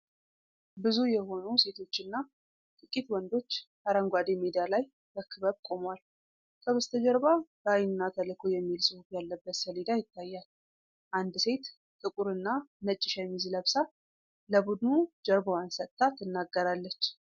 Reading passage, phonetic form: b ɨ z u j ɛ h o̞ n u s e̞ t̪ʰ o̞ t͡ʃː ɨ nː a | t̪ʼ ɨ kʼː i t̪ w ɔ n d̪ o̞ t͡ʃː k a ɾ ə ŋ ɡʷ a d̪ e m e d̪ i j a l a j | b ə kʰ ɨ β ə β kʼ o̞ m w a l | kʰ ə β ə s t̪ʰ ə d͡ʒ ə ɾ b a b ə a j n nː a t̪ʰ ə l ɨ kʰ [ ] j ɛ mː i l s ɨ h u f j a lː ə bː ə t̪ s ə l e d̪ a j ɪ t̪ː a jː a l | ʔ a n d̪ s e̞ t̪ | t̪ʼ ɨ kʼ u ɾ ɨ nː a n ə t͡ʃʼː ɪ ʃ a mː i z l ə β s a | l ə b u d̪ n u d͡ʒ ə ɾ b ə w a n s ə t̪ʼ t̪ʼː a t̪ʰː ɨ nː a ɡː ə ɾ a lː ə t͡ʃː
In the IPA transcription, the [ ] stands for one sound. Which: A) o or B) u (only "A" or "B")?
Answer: A